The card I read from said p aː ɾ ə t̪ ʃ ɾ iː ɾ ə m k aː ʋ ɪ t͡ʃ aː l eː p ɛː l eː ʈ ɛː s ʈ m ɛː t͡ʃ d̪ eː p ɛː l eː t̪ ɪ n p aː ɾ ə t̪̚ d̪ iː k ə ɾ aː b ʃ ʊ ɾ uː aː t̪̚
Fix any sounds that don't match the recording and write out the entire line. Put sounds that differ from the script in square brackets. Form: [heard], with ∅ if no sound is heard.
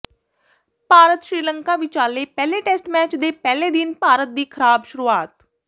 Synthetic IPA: p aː ɾ ə t̪ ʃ ɾ iː [l] ə [ŋ] k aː ʋ ɪ t͡ʃ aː l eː p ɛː l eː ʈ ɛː s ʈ m ɛː t͡ʃ d̪ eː p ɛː l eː [d̪] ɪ n p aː ɾ ə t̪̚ d̪ iː [kʰ] ə ɾ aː b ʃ ʊ ɾ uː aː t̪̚